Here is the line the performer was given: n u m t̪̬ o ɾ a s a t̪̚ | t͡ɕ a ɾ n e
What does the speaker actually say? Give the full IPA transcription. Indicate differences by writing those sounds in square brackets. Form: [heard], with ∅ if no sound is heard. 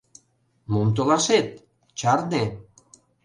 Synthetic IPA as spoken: [m] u m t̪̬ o [l] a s [e] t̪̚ | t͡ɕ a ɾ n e